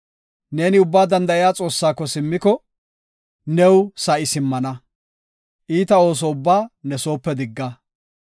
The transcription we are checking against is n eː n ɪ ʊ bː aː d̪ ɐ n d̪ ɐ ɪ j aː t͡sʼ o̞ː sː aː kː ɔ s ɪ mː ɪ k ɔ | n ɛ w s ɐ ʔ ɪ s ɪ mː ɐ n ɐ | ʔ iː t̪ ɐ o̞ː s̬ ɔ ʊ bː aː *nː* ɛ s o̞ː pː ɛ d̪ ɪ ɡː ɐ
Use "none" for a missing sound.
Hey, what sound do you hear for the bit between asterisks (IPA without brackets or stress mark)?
n